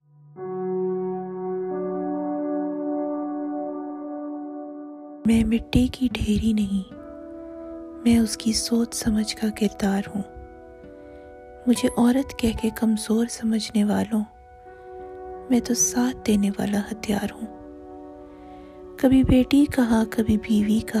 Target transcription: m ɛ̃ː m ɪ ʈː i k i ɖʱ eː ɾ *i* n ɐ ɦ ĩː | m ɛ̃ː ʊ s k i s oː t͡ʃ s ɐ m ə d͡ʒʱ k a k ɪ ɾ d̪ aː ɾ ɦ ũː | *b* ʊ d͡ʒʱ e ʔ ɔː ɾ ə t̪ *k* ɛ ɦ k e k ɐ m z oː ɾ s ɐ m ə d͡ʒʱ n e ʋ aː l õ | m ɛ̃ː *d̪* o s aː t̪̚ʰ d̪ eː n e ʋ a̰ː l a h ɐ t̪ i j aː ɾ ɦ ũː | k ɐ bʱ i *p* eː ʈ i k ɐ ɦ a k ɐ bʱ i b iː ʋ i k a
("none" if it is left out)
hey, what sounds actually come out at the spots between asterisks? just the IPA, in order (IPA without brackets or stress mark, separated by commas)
i, m, k, t̪, b